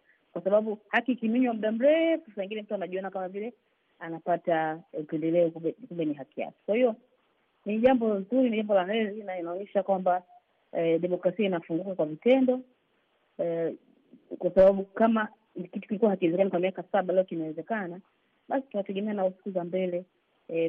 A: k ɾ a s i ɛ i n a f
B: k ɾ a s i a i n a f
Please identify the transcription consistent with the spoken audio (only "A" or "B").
B